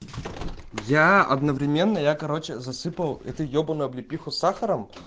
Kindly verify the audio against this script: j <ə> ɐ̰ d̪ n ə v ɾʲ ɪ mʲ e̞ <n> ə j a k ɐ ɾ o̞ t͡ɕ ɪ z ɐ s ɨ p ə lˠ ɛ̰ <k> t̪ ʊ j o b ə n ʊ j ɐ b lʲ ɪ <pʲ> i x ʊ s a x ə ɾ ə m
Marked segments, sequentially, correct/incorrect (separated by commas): incorrect, incorrect, incorrect, correct